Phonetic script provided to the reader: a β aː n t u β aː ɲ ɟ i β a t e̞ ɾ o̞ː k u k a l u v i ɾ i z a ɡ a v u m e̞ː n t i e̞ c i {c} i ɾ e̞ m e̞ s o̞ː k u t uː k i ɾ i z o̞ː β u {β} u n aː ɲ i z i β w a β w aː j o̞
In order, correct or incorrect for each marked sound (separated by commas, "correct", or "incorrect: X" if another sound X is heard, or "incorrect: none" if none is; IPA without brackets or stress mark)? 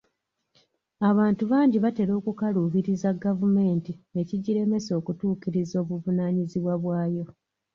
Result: incorrect: ɟ, incorrect: v